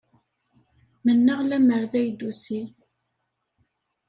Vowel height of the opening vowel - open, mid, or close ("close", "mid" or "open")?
mid